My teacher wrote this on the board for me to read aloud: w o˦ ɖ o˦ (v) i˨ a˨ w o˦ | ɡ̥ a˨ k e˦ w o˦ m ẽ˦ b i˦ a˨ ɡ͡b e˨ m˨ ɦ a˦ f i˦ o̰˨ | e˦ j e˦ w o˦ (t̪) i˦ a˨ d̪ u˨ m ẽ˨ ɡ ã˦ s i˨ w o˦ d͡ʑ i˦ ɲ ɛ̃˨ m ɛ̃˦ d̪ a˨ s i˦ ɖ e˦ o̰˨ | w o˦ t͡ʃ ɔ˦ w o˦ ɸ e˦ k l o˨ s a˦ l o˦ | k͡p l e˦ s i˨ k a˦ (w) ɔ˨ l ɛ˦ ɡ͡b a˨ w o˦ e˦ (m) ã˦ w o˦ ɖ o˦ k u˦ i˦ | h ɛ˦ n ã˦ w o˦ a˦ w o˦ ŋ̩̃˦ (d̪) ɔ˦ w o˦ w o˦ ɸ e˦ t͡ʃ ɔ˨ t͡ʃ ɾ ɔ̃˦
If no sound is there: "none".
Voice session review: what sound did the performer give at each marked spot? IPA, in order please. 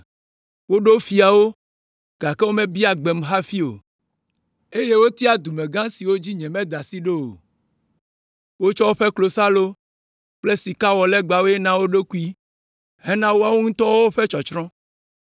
f, t̪, w, n, t̪

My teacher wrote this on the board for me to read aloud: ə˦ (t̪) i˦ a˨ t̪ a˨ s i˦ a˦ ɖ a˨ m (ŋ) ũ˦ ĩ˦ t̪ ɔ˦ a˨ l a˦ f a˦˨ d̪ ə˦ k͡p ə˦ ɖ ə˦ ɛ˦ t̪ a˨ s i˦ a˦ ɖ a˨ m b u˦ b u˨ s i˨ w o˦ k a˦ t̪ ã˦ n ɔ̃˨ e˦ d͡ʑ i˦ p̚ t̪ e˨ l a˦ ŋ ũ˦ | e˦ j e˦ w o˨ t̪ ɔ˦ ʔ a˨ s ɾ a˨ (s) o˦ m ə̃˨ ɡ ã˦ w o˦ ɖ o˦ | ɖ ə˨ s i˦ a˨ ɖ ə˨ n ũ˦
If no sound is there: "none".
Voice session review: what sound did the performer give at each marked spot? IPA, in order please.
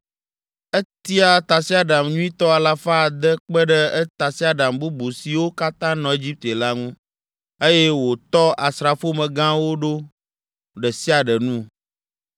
t̪, ɲ, f

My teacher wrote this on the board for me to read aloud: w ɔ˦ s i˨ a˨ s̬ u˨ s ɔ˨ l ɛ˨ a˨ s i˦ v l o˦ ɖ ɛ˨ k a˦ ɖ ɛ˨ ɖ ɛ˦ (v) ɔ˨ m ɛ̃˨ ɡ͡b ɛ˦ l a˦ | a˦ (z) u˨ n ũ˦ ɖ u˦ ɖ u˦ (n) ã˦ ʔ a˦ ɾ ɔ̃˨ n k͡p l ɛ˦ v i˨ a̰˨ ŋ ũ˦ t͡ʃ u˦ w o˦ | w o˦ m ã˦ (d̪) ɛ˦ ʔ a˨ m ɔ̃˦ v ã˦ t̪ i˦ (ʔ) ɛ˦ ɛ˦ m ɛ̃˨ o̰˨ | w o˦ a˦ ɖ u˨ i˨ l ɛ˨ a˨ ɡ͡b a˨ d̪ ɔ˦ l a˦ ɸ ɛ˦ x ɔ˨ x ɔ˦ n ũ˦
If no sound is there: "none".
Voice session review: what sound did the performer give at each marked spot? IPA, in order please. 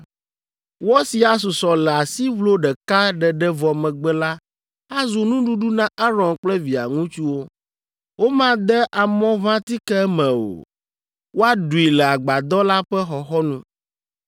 v, z, n, d̪, k

